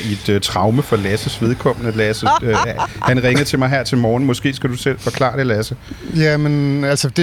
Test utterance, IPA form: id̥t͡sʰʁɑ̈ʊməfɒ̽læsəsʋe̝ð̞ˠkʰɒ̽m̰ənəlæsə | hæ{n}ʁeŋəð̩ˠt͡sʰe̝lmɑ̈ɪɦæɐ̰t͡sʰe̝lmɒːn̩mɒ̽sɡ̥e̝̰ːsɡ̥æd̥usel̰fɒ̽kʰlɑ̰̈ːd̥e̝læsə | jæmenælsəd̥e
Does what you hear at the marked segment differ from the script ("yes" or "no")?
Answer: no